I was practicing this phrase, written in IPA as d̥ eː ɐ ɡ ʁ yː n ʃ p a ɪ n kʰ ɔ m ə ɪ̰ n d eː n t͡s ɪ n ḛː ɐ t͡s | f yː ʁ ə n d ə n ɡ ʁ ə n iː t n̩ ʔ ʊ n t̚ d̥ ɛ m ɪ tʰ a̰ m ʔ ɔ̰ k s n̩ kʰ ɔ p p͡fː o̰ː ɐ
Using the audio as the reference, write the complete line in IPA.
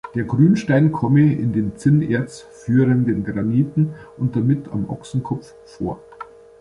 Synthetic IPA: d̥ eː ɐ ɡ ʁ yː n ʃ t a ɪ n kʰ ɔ m ə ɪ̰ n d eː n t͡s ɪ n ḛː ɐ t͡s | f yː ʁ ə n d ə n ɡ ʁ a n iː t n̩ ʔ ʊ n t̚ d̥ a m ɪ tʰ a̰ m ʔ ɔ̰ k s n̩ kʰ ɔ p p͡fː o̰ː ɐ